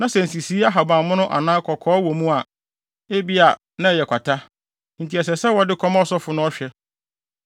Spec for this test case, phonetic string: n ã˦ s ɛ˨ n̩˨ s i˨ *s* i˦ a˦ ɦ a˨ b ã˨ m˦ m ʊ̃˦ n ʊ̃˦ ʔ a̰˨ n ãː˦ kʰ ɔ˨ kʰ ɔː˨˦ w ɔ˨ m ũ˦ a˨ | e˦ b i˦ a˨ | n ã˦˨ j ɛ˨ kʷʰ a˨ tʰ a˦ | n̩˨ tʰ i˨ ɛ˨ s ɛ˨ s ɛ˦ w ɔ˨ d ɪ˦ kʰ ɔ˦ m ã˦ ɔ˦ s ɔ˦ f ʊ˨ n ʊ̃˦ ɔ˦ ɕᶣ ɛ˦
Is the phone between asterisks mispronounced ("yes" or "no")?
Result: no